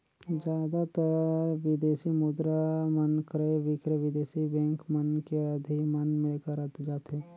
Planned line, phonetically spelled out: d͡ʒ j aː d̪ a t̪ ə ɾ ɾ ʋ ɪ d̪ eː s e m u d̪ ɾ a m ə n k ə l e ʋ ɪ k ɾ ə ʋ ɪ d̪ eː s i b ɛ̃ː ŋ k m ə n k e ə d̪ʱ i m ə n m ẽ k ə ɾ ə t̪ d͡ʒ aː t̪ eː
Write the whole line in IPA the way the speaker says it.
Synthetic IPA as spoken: d͡ʒ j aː d̪ a t̪ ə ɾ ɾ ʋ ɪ d̪ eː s i m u d̪ ɾ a m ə n k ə ɾ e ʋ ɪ k ɾ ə ʋ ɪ d̪ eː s i b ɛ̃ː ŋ k m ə n k e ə d̪ʱ i m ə n m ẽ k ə ɾ ə t̪ d͡ʒ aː t̪ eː